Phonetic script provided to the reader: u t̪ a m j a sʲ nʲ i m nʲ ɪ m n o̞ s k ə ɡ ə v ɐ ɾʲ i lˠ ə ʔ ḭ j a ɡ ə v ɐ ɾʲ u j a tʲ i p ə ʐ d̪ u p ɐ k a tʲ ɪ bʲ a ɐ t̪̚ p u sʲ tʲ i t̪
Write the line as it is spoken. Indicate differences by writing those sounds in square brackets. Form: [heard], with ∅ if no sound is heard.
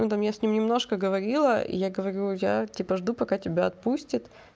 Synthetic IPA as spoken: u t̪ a m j a sʲ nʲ i m nʲ ɪ m n o̞ [ʂ] k ə ɡ ə v ɐ ɾʲ i lˠ ə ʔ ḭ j a ɡ ə v ɐ ɾʲ u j a tʲ i p ə ʐ d̪ u p ɐ k a tʲ ɪ bʲ a ɐ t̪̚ p u sʲ tʲ [ɪ] t̪

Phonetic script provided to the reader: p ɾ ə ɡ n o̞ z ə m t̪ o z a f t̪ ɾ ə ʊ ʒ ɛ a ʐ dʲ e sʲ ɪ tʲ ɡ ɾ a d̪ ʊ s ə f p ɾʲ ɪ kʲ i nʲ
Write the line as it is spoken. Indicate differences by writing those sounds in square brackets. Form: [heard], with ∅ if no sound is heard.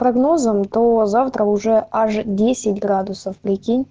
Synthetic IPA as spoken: p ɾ [ɐ] ɡ n o̞ z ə m t̪ o z a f t̪ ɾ ə ʊ [ʐ] ɛ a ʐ dʲ e sʲ ɪ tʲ ɡ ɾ a d̪ ʊ s ə f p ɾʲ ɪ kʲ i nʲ

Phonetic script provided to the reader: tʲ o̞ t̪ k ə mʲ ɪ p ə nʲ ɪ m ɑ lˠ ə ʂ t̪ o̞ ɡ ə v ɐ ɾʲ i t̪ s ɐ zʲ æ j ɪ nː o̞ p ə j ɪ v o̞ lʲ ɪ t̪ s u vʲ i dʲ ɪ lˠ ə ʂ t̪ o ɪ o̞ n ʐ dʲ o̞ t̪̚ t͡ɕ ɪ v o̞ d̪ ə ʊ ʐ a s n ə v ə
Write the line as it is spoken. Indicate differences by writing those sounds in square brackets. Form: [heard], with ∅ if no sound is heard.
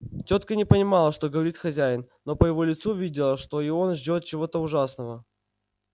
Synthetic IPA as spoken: tʲ o̞ t̪ k ə [nʲ] ɪ p ə nʲ ɪ m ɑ lˠ ə ʂ t̪ o̞ ɡ ə v ɐ ɾʲ i t̪ [x] ɐ zʲ æ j ɪ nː o̞ p ə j ɪ v o̞ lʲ ɪ t̪ s u vʲ i dʲ ɪ lˠ ə ʂ t̪ o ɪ o̞ n ʐ dʲ o̞ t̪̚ t͡ɕ ɪ v o̞ [t̪] ə ʊ ʐ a s n ə v ə

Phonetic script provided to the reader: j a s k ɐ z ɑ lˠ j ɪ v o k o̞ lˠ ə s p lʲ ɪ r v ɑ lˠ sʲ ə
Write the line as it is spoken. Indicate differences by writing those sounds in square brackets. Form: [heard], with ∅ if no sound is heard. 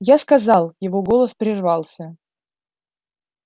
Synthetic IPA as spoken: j a s k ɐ z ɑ lˠ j ɪ v o [ɡ] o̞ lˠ ə s p [ɾʲ] ɪ r v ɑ lˠ sʲ ə

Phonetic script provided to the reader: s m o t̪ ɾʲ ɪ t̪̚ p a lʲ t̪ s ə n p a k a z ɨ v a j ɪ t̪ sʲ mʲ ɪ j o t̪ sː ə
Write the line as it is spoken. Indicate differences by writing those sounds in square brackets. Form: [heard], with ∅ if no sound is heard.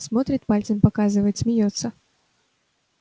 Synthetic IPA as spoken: s m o t̪ ɾʲ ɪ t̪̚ p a lʲ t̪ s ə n p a k a z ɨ v [ə] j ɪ t̪ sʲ mʲ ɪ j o t̪ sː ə

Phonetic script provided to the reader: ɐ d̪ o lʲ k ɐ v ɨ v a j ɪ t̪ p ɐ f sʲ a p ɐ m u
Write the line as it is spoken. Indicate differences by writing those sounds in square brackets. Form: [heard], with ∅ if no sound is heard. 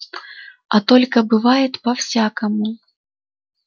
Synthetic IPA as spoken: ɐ [t̪] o lʲ k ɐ [b] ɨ v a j ɪ t̪ p ɐ f sʲ a [k] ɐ m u

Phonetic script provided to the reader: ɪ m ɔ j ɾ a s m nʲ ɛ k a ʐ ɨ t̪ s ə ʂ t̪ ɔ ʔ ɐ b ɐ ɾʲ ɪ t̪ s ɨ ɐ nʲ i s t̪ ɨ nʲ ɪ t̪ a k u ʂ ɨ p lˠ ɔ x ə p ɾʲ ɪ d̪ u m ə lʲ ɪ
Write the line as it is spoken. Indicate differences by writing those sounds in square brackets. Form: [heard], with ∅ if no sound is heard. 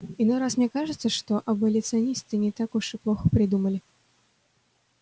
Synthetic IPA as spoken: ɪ [n] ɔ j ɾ a s m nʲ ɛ k a ʐ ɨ t̪ s ə ʂ t̪ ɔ ʔ ɐ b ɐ [lʲ] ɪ t̪ s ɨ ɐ nʲ i s t̪ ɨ nʲ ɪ t̪ a k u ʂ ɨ p lˠ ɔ x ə p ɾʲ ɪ d̪ u m ə lʲ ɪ

